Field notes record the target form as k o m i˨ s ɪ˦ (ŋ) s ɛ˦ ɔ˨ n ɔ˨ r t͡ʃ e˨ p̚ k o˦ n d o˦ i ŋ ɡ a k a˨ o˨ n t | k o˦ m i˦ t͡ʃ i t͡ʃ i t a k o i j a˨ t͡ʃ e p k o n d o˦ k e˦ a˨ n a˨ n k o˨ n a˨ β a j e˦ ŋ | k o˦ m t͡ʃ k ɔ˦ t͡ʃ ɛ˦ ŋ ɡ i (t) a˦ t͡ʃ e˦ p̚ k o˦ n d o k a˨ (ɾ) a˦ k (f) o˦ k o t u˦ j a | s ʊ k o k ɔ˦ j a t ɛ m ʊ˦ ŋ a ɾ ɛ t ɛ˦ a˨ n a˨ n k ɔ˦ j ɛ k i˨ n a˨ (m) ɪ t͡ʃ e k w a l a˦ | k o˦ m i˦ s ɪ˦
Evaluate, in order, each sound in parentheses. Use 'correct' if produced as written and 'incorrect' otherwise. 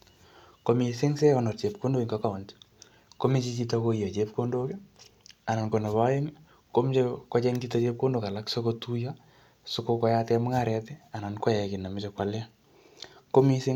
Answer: correct, correct, incorrect, incorrect, correct

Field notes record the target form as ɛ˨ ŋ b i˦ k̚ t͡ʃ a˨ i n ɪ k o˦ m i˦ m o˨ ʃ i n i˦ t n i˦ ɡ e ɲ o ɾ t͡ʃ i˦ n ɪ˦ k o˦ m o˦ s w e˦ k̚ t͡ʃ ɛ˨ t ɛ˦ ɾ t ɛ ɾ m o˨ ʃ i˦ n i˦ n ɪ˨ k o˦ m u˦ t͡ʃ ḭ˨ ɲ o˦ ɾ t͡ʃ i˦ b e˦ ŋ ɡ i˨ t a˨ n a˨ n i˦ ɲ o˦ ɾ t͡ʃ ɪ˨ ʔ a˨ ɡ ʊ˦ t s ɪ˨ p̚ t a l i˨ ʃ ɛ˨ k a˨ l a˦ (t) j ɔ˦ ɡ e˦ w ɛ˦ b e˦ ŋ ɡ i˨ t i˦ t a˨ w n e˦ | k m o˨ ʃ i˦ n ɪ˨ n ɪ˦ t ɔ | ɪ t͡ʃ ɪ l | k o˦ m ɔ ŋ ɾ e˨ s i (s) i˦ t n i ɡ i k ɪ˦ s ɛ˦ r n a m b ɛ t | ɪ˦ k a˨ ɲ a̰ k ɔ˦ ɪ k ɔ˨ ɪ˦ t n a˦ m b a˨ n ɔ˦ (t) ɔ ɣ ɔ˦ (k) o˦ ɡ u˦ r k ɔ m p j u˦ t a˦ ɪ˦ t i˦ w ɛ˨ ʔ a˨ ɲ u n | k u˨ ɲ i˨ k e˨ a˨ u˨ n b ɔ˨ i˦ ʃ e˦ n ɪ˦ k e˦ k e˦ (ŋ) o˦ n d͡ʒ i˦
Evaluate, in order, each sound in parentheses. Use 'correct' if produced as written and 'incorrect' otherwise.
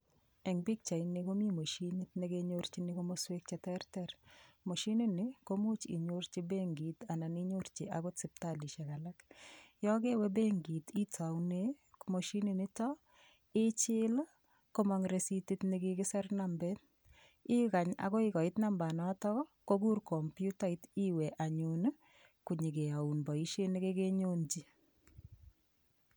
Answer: incorrect, incorrect, correct, correct, incorrect

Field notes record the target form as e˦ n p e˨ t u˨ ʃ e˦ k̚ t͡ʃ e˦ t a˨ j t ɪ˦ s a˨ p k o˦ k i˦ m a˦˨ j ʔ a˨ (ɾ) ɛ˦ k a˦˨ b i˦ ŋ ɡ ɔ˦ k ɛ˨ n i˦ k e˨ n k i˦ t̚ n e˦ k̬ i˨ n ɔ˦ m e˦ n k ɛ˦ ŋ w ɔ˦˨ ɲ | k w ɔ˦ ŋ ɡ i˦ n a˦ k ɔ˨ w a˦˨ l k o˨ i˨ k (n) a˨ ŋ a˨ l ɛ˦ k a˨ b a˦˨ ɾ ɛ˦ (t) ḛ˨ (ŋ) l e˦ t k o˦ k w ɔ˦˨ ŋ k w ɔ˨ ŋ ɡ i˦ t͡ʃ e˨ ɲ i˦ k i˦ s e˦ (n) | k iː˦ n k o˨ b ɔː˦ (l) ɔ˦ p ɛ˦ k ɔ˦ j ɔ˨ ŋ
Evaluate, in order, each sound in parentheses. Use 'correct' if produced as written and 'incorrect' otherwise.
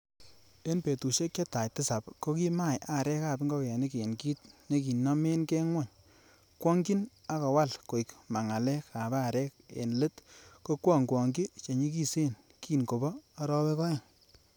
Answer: correct, incorrect, incorrect, incorrect, correct, incorrect

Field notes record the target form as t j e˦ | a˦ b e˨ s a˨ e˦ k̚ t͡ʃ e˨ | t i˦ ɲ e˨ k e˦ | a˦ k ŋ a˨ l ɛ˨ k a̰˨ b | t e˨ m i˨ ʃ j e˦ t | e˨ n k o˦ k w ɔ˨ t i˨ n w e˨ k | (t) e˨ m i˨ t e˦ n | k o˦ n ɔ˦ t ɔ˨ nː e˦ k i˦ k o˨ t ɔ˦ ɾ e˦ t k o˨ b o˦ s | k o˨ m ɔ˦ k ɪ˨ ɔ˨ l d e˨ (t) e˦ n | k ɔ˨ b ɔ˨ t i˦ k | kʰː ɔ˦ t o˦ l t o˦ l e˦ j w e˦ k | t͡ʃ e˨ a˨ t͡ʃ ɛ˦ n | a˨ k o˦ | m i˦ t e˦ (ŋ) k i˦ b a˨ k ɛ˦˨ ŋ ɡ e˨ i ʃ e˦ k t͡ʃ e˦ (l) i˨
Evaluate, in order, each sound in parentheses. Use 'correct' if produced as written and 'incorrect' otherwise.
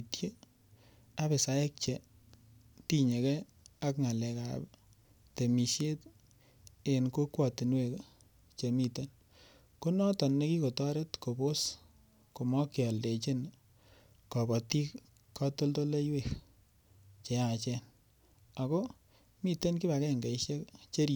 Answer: incorrect, incorrect, incorrect, incorrect

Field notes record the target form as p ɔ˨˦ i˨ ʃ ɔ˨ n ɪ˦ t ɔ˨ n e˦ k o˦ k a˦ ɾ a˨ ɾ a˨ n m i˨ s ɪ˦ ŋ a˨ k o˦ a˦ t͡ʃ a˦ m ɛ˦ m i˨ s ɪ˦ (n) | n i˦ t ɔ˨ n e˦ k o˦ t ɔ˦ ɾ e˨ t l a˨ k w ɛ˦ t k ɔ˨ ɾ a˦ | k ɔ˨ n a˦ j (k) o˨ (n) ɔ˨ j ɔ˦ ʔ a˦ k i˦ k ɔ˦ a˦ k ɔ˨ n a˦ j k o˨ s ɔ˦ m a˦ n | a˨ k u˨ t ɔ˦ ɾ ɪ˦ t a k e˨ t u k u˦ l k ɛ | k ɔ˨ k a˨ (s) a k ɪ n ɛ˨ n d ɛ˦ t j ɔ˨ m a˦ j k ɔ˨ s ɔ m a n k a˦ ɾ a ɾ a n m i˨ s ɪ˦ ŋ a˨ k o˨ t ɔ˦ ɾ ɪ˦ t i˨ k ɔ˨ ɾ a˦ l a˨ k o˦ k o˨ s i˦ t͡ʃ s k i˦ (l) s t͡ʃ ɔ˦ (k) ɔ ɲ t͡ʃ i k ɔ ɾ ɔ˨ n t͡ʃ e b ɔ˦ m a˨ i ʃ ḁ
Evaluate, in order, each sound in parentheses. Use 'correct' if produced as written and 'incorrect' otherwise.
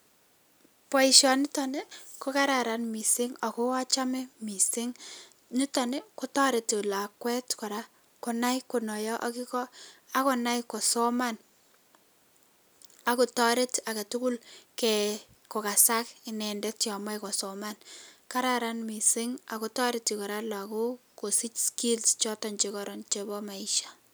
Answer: incorrect, correct, correct, correct, correct, incorrect

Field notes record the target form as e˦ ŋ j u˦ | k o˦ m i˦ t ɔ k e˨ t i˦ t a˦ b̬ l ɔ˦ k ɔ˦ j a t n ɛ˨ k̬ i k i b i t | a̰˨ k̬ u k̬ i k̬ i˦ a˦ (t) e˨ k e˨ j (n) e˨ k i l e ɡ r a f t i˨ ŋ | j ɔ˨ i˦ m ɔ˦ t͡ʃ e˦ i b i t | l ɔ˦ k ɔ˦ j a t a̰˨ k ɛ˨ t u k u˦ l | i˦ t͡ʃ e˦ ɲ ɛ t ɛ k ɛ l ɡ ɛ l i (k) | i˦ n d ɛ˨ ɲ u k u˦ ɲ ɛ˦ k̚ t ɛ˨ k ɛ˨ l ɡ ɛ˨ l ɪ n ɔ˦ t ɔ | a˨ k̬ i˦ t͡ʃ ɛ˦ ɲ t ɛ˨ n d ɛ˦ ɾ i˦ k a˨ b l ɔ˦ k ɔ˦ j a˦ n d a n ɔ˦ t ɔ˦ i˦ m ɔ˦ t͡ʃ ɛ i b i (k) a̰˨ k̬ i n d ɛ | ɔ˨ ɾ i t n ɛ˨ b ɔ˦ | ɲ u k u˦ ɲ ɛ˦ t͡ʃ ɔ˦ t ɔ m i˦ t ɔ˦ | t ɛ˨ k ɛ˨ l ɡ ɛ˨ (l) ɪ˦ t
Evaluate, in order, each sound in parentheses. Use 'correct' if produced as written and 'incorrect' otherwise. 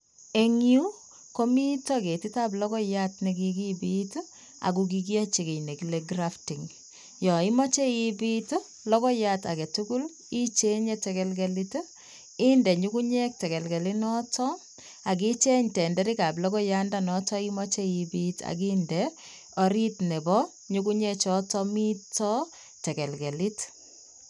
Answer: incorrect, correct, incorrect, incorrect, correct

